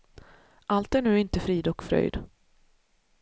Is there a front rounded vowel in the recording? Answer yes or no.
yes